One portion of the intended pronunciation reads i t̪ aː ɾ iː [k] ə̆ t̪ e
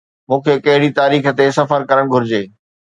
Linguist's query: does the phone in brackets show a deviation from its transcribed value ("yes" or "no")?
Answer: yes